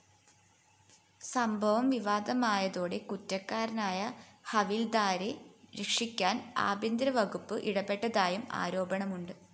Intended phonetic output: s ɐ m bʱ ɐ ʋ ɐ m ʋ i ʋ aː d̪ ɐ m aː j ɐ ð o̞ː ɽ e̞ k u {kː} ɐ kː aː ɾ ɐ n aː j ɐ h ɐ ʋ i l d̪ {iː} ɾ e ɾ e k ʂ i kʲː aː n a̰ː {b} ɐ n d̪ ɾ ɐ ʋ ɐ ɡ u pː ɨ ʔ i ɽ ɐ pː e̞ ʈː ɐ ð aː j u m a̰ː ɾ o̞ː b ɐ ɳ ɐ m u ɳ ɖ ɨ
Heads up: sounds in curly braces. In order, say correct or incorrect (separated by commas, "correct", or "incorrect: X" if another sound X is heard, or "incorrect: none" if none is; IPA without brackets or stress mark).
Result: incorrect: tː, incorrect: aː, correct